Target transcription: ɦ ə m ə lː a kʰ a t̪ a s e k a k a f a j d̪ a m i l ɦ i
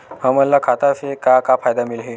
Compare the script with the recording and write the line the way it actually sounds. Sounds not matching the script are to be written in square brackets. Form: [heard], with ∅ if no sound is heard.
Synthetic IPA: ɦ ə m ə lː a kʰ a t̪ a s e k a k a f a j d̪ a m i l ɦ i